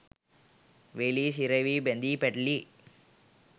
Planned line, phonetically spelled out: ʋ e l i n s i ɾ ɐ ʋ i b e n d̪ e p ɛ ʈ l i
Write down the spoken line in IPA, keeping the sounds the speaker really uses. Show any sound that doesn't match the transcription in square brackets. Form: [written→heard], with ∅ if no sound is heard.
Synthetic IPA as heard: ʋ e l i [n→∅] s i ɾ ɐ ʋ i b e n d̪ [e→i] p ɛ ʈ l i